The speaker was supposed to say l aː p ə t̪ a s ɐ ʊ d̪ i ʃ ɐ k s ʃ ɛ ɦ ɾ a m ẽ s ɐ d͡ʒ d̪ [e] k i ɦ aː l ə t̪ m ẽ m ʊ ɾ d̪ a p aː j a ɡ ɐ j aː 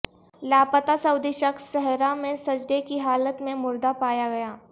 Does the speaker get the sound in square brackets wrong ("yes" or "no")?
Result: no